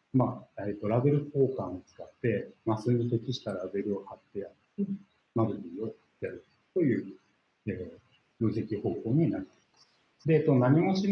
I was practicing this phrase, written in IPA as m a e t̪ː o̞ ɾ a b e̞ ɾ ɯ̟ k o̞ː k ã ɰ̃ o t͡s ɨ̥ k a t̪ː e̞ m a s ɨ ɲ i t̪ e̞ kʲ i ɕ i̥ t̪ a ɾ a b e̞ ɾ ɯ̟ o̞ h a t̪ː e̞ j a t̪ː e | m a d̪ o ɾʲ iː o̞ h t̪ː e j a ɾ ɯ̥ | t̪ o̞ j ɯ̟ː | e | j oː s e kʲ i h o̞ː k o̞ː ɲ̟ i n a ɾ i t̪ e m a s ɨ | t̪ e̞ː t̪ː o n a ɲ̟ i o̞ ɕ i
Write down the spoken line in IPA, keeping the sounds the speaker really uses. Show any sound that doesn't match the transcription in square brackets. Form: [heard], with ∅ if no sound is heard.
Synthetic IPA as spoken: m a e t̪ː o̞ ɾ a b e̞ ɾ ɯ̟ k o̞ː k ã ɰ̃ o t͡s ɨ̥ k a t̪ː e̞ m a s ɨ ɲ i t̪ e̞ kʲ i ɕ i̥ t̪ a ɾ a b e̞ ɾ ɯ̟ o̞ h a t̪ː e̞ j a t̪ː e | m a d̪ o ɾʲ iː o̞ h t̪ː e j a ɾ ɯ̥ | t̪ o̞ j ɯ̟ː | e | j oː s e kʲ i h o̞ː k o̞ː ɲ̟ i n a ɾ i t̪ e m a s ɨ | [d̪] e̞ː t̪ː o n a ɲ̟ i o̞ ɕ i